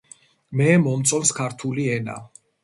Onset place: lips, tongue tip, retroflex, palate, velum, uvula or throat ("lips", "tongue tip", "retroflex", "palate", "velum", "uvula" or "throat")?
lips